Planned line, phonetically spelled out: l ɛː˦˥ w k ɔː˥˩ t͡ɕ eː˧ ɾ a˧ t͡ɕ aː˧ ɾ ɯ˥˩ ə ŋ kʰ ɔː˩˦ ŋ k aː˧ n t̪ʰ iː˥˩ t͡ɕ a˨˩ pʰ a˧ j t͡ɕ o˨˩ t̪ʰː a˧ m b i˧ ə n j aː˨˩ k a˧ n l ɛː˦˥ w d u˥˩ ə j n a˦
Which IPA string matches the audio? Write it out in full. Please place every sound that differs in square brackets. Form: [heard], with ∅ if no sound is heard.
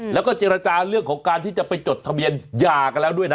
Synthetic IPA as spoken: l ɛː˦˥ w k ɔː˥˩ t͡ɕ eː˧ ɾ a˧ t͡ɕ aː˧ ɾ ɯ˥˩ ə ŋ kʰ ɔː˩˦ ŋ k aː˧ n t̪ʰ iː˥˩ t͡ɕ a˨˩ [p] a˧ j t͡ɕ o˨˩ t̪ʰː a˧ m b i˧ ə n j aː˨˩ k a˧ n l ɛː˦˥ w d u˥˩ ə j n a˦